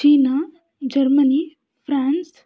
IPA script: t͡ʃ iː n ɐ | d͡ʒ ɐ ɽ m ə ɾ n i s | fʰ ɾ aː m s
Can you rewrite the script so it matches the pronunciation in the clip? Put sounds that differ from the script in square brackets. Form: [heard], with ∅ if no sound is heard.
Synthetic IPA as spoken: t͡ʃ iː n [a] | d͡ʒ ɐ [ɾ] m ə [∅] n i [∅] | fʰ ɾ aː [n] s